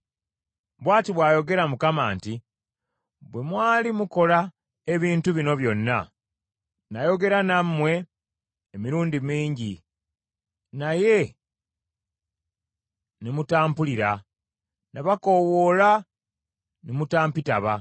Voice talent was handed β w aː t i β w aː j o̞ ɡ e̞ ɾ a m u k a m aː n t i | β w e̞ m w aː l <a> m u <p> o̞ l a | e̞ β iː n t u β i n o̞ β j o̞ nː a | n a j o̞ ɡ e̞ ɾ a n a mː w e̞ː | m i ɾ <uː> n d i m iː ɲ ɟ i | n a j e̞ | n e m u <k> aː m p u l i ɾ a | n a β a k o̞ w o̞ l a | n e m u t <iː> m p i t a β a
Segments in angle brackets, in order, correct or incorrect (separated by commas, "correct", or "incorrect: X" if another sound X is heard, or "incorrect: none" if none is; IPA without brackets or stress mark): incorrect: i, incorrect: k, correct, incorrect: t, incorrect: aː